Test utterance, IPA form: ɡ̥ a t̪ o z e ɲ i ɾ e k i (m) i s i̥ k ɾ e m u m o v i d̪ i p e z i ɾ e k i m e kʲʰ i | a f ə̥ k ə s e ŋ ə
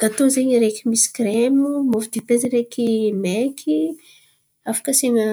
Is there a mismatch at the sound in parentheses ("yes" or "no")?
no